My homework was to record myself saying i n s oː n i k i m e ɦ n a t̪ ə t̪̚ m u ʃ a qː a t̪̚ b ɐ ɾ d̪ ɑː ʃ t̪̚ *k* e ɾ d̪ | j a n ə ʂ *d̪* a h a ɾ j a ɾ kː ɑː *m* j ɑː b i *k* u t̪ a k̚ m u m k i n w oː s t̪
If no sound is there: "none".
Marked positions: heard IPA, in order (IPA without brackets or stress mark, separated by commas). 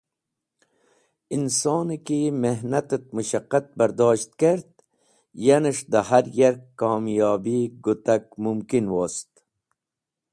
k, d̪, m, ɡ